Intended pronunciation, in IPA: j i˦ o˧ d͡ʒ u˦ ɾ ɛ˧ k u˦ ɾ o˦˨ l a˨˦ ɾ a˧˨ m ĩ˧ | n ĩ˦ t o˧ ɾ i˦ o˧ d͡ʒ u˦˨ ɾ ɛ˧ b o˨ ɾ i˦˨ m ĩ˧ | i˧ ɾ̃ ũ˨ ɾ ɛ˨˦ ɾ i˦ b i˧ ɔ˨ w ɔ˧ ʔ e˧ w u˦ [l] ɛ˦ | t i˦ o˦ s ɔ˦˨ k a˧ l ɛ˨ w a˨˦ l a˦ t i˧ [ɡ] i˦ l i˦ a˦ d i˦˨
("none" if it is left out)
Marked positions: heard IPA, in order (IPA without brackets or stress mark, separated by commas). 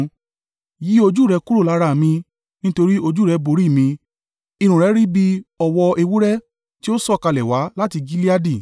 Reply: ɾ, ɡ